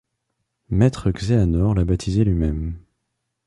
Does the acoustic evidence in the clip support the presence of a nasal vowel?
no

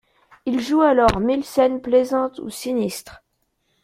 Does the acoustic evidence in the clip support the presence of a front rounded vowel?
no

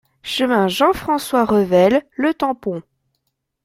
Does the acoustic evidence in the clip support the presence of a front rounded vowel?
no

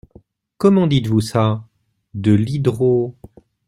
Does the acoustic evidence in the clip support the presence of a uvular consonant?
yes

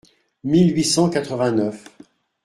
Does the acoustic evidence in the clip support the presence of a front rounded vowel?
yes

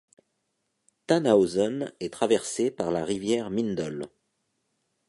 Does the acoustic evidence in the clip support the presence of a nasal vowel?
no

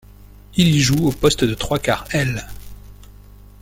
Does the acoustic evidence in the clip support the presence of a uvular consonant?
yes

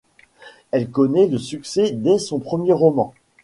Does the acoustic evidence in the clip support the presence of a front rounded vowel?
yes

